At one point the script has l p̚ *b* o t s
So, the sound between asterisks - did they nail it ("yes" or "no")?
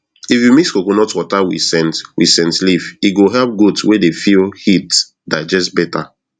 no